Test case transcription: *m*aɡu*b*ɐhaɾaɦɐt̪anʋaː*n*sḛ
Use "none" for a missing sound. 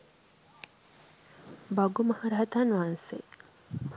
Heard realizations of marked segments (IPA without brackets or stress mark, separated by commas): b, m, n